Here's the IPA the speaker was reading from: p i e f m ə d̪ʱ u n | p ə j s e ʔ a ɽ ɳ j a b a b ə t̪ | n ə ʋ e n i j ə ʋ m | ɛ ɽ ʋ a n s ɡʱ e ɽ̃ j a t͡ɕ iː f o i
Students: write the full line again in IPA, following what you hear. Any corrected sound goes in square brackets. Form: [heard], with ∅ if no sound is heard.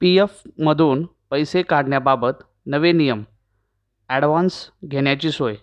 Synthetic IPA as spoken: p i e f m ə d̪ʱ [uː] n | p ə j s e [k] a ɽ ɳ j a b a b ə t̪ | n ə ʋ e n i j ə [∅] m | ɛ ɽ ʋ a n s ɡʱ e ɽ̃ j a t͡ɕ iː [s] o [j]